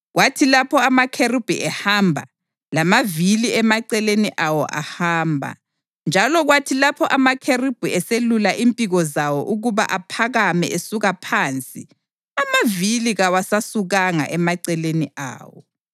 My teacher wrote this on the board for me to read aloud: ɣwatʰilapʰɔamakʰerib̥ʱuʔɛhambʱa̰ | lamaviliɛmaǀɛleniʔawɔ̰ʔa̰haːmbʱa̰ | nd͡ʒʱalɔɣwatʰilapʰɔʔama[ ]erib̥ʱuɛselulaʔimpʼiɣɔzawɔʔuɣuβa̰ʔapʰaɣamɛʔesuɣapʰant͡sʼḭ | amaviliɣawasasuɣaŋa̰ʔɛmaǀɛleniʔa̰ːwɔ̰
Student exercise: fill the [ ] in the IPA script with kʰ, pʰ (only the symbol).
kʰ